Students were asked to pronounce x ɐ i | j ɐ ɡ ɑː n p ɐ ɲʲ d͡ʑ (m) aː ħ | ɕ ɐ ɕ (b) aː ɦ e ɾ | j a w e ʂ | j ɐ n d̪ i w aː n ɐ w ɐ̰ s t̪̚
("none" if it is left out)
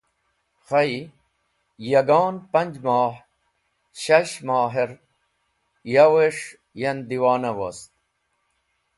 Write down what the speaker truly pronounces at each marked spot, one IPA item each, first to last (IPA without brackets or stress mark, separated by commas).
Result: m, m